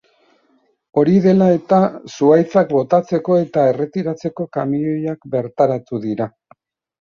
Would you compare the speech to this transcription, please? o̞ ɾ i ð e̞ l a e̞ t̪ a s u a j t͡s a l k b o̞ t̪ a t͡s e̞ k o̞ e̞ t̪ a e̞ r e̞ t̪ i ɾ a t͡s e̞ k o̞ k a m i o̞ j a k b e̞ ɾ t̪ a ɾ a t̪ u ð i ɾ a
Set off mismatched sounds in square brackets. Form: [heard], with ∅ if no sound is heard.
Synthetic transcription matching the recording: o̞ ɾ i ð e̞ l a e̞ t̪ a s u a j t͡s a [∅] k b o̞ t̪ a t͡s e̞ k o̞ e̞ t̪ a e̞ r e̞ t̪ i ɾ a t͡s e̞ k o̞ k a m i o̞ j a k b e̞ ɾ t̪ a ɾ a t̪ u ð i ɾ a